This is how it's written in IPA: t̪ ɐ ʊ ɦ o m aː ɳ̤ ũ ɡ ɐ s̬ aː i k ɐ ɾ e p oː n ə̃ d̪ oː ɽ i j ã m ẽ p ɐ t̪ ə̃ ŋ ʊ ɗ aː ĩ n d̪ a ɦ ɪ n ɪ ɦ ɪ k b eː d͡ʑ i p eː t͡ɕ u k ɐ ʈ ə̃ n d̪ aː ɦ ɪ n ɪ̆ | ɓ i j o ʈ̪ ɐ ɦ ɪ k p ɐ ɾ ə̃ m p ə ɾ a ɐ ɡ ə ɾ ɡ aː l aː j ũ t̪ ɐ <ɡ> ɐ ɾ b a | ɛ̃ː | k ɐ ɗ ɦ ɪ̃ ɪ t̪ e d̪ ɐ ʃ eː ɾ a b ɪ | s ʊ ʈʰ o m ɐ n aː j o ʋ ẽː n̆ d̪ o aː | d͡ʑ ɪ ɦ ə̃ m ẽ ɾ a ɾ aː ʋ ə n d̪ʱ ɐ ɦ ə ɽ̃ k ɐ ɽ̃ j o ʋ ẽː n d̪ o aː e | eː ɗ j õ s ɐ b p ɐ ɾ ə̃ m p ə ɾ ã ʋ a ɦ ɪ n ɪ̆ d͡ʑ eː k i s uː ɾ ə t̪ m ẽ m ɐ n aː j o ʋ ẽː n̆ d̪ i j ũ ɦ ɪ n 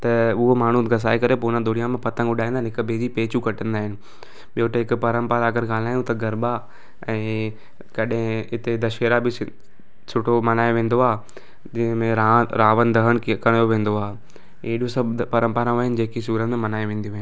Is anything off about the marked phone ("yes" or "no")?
no